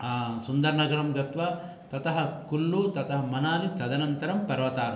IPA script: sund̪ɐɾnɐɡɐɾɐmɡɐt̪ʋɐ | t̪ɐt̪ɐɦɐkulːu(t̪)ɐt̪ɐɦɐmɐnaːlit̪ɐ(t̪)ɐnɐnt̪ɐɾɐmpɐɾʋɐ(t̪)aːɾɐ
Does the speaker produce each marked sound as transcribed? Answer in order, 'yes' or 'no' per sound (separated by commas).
yes, no, yes